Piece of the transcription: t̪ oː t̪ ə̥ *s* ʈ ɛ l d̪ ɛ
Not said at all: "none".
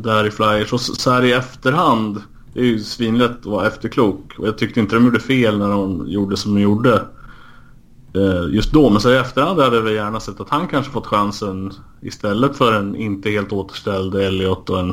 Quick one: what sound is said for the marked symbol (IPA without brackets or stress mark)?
ʂ